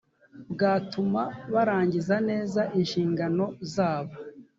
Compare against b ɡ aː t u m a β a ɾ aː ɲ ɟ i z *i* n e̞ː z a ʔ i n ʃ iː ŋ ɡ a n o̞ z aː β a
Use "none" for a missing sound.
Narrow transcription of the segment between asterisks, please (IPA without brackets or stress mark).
a